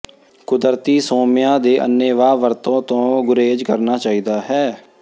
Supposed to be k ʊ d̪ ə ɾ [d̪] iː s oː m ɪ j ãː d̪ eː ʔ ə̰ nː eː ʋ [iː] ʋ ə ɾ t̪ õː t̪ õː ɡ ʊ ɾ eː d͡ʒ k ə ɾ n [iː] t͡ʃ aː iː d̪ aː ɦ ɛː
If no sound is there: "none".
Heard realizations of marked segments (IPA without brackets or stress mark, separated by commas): t̪, aː, aː